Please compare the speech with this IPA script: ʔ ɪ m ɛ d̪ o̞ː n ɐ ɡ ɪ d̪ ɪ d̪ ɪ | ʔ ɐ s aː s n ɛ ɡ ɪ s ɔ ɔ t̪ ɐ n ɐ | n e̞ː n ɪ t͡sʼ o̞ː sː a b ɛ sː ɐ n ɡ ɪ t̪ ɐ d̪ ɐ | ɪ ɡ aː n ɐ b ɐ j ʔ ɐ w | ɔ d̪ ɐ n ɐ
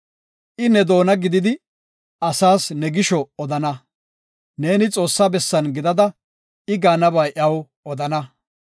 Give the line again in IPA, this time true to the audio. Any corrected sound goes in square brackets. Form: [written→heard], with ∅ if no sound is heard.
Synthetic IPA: ʔ ɪ [m→n] ɛ d̪ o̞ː n ɐ ɡ ɪ d̪ ɪ d̪ ɪ | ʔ ɐ s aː s n ɛ ɡ ɪ [s→ʃ] ɔ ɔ [t̪→d̪] ɐ n ɐ | n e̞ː n ɪ t͡sʼ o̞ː sː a b ɛ sː ɐ n ɡ ɪ [t̪→d̪] ɐ d̪ ɐ | ɪ ɡ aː n ɐ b ɐ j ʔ ɐ w | ɔ d̪ ɐ n ɐ

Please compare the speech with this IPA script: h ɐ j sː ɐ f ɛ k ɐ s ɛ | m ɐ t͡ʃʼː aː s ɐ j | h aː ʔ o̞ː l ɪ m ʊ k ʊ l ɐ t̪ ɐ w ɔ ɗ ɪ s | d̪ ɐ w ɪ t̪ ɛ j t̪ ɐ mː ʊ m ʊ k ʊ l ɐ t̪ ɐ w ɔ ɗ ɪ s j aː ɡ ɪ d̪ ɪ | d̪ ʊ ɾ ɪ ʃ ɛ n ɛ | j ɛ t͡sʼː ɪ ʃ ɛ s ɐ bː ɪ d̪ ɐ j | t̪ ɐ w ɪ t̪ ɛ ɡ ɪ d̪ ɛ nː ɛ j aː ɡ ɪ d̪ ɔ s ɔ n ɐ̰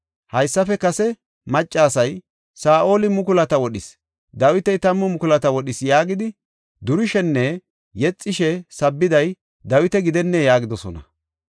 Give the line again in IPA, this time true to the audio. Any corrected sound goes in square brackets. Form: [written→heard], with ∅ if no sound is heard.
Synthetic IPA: h ɐ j sː ɐ f ɛ k ɐ s ɛ | m ɐ t͡ʃʼː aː s ɐ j | [h→s] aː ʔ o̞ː l ɪ m ʊ k ʊ l ɐ t̪ ɐ w ɔ ɗ ɪ s | d̪ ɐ w ɪ t̪ ɛ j t̪ ɐ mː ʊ m ʊ k ʊ l ɐ t̪ ɐ w ɔ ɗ ɪ s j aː ɡ ɪ d̪ ɪ | d̪ ʊ ɾ ɪ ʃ ɛ [n→nː] ɛ | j ɛ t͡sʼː ɪ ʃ ɛ s ɐ bː ɪ d̪ ɐ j | [t̪→d̪] ɐ w ɪ t̪ ɛ ɡ ɪ d̪ ɛ nː ɛ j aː ɡ ɪ d̪ ɔ s ɔ n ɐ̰

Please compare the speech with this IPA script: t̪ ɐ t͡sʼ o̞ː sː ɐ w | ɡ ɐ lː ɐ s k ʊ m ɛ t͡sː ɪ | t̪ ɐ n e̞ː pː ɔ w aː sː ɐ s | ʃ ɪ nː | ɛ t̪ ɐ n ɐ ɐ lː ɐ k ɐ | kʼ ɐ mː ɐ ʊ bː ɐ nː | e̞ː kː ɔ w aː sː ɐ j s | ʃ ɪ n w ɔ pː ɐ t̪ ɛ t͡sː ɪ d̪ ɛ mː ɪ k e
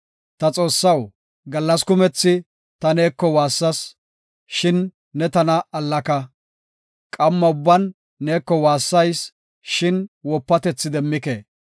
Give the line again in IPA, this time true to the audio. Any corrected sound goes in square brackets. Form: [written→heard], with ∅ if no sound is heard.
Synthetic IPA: t̪ ɐ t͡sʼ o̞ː sː ɐ w | ɡ ɐ lː ɐ s k ʊ m ɛ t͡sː ɪ | t̪ ɐ n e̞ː [pː→kː] ɔ w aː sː ɐ s | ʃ ɪ nː | ɛ t̪ ɐ n ɐ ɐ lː ɐ k ɐ | kʼ ɐ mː ɐ ʊ bː ɐ nː | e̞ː kː ɔ w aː sː ɐ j s | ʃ ɪ n w ɔ pː ɐ t̪ ɛ t͡sː ɪ d̪ ɛ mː ɪ k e

